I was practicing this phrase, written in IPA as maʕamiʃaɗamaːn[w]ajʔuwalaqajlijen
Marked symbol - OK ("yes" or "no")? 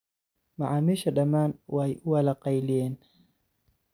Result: yes